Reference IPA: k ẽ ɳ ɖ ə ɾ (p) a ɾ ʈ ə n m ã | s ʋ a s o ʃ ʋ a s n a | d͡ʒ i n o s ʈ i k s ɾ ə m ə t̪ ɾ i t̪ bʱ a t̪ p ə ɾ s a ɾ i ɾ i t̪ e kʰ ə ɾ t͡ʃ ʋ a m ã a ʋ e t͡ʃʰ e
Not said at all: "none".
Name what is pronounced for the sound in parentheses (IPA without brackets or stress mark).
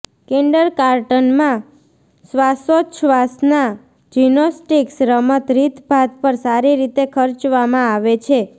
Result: k